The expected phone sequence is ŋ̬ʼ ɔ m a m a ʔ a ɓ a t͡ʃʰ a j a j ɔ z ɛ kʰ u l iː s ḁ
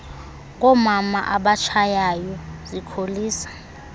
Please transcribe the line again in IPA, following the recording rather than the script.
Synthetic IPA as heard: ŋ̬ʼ ɔ m a m a ʔ a ɓ a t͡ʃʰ a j a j ɔ z i kʰ o l iː s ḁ